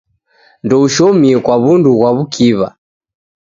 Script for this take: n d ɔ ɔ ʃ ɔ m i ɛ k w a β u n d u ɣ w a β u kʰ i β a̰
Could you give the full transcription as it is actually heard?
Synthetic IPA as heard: n d ɔ u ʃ ɔ m i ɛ k w a β u n d u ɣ w a β u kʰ i β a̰